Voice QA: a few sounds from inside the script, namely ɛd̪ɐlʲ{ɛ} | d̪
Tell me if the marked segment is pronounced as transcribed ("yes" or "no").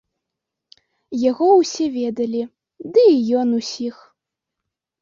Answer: no